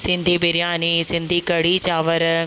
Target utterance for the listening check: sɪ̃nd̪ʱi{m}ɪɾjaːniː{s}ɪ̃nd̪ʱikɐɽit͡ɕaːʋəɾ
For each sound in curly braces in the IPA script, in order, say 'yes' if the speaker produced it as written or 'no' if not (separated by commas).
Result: no, yes